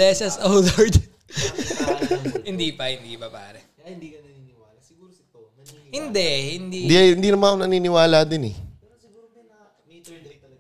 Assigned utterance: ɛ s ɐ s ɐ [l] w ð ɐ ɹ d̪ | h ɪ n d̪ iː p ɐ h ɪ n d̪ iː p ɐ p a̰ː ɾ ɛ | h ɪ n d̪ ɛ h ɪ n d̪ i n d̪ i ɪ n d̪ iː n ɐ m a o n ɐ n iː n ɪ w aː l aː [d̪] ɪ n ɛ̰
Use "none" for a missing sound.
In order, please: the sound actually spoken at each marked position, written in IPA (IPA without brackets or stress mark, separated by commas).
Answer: none, d̪